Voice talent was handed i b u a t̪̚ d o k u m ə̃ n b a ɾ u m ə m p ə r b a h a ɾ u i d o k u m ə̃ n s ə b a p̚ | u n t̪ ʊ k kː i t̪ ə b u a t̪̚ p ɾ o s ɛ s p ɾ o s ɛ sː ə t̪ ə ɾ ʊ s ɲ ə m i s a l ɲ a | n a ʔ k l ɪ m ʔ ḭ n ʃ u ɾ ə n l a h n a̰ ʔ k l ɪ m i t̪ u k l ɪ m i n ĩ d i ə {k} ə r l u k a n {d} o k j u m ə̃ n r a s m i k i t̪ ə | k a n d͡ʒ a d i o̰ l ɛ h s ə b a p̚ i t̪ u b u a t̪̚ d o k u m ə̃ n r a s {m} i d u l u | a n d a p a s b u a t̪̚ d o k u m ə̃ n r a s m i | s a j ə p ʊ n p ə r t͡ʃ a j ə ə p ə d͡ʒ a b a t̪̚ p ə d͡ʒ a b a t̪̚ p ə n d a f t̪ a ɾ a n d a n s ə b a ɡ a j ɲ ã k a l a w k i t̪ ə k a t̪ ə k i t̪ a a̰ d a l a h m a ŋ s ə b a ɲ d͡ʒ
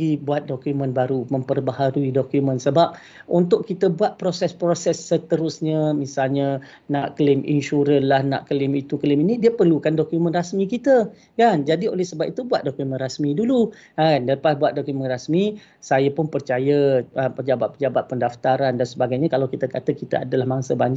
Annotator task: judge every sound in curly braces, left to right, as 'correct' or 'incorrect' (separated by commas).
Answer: incorrect, correct, correct